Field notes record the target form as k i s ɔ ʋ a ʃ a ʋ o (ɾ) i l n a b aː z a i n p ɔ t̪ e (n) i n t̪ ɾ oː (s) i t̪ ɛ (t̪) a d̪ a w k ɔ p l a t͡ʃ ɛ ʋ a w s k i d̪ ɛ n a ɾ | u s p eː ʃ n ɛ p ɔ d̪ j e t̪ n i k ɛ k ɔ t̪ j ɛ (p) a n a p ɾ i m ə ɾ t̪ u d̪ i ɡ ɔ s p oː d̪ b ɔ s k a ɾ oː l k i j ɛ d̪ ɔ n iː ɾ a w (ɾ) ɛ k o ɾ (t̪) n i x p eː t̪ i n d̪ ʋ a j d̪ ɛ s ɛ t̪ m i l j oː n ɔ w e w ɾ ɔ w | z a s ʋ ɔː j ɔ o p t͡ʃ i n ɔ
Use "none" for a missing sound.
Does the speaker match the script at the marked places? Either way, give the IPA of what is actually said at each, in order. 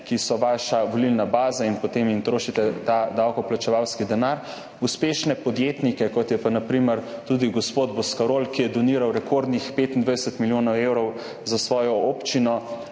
l, m, ʃ, t̪, p, ɾ, d̪

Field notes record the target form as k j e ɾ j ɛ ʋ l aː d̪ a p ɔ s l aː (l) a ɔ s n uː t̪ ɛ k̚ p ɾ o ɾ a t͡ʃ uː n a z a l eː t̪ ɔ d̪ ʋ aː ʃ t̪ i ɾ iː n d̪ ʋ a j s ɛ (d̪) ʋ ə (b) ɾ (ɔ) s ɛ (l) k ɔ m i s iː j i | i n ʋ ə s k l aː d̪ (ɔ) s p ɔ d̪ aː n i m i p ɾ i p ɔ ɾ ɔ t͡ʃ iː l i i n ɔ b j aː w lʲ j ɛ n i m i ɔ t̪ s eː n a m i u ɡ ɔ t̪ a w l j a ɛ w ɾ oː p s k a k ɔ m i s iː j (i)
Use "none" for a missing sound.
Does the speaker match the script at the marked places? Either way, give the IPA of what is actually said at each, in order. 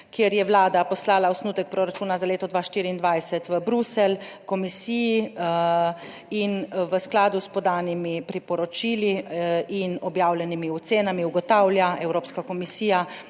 l, t̪, b, u, l, u, a

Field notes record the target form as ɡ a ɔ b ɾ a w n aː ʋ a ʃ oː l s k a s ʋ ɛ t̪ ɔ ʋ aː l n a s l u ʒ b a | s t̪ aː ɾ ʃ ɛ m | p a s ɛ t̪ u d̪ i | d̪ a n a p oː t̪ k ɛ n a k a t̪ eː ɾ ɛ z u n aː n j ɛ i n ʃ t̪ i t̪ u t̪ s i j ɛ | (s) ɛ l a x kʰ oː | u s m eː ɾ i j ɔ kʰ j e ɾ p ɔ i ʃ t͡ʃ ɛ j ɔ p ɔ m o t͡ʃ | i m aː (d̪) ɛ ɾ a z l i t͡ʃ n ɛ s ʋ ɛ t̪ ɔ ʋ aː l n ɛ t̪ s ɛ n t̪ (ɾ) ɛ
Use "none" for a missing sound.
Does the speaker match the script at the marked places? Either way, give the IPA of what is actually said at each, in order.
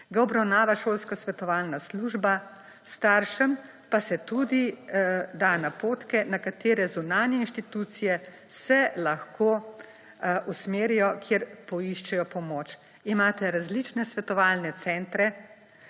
s, t̪, ɾ

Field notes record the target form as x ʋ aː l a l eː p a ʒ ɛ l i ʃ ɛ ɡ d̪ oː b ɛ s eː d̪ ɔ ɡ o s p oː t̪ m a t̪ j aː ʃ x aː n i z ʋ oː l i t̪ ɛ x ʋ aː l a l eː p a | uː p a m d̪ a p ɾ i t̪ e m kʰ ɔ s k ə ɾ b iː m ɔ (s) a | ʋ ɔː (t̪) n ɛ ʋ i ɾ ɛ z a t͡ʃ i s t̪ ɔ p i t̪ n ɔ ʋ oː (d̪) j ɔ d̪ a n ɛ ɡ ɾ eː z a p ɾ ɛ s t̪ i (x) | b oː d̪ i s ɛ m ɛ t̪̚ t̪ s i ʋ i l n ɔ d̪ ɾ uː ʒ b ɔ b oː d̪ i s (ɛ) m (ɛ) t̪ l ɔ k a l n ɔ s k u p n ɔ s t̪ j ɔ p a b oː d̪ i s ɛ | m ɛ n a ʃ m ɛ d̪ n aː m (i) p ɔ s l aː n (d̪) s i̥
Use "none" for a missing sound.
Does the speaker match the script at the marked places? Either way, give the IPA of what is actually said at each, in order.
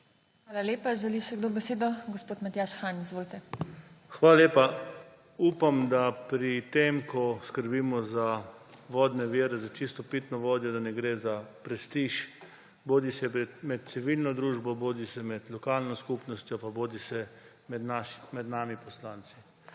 z, d̪, d̪, ʃ, ɛ, ɛ, i, t̪

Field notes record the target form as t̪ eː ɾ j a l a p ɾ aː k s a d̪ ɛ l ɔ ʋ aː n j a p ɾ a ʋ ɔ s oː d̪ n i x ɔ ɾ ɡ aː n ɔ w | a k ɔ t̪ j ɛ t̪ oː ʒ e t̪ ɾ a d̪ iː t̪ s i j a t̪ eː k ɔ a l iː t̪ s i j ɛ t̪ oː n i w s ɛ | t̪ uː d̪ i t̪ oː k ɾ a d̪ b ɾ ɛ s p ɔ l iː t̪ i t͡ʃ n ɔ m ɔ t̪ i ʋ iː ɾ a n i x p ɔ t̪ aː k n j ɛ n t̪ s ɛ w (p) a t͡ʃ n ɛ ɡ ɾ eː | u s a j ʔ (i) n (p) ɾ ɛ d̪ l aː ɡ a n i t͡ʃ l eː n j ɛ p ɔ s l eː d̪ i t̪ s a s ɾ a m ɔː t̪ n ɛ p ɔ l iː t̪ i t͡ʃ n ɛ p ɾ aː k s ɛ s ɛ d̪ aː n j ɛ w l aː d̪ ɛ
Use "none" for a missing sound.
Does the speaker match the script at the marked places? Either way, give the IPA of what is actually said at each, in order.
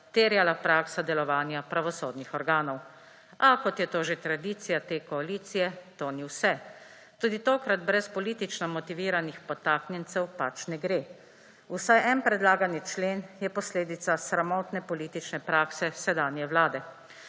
p, ɛ, p

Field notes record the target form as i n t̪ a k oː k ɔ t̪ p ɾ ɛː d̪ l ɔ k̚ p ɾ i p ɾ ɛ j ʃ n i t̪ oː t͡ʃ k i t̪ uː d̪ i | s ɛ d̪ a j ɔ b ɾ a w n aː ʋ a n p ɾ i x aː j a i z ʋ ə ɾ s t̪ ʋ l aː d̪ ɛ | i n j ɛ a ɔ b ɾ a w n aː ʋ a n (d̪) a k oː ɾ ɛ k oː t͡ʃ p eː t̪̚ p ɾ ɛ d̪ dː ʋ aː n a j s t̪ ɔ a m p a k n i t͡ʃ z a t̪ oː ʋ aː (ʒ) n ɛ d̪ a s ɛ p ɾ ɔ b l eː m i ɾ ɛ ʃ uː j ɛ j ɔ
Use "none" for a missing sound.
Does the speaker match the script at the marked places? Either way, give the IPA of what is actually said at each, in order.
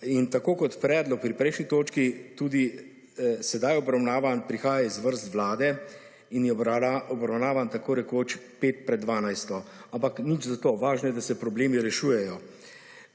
t̪, ʒ

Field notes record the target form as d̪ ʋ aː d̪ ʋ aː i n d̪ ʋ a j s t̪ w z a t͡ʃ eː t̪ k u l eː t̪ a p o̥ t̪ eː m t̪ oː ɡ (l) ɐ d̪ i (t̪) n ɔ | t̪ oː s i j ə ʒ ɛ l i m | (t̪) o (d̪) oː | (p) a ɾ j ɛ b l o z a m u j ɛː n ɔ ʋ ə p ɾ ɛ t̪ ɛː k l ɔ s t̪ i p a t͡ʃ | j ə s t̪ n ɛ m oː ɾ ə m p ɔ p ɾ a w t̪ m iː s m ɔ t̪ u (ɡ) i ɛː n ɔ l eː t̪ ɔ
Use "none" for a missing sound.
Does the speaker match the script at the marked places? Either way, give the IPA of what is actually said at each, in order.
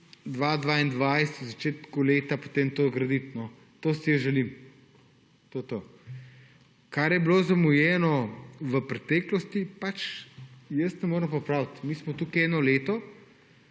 ɾ, t̪, t̪, t̪, k, k

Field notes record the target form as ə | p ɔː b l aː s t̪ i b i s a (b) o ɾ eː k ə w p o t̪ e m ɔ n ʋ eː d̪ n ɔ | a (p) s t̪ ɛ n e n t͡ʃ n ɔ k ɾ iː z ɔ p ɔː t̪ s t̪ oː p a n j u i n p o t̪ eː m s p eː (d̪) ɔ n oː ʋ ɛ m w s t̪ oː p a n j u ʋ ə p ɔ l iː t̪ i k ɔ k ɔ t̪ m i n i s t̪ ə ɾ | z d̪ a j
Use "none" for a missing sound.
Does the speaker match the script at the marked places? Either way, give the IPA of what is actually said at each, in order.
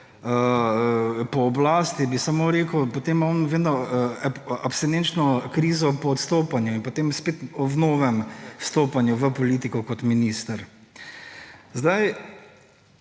m, p, t̪

